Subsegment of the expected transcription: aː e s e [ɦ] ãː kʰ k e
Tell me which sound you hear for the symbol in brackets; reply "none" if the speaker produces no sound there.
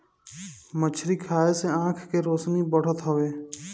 none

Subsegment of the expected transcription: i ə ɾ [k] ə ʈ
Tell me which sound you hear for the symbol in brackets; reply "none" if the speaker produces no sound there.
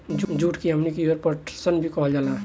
p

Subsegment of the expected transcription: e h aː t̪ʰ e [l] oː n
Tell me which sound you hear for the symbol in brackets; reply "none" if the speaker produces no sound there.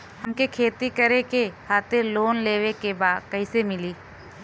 l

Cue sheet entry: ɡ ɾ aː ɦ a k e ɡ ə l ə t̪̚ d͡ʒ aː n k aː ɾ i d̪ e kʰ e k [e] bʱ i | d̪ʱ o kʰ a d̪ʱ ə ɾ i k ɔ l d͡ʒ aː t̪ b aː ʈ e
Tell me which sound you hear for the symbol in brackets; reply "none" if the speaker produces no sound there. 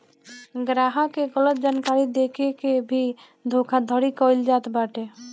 e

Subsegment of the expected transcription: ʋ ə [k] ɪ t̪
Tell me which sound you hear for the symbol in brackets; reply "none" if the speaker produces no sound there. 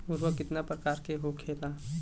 k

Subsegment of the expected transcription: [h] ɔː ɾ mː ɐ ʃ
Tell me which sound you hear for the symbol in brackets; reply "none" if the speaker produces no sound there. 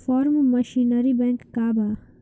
f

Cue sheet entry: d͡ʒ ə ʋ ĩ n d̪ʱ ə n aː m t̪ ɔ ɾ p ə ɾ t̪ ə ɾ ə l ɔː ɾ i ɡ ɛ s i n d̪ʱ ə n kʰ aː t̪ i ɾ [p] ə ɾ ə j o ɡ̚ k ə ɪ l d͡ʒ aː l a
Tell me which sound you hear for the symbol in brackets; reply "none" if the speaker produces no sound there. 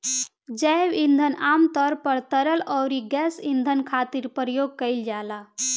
p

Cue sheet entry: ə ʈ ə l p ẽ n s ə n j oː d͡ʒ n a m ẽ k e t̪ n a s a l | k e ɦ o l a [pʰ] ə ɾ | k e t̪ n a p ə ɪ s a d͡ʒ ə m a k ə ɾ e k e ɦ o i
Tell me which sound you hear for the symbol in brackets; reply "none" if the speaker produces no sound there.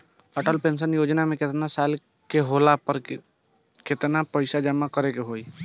p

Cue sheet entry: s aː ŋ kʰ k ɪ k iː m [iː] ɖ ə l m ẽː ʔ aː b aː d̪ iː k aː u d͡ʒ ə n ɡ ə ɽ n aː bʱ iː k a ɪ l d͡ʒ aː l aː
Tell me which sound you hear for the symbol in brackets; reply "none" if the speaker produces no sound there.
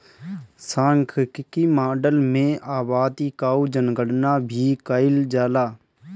aː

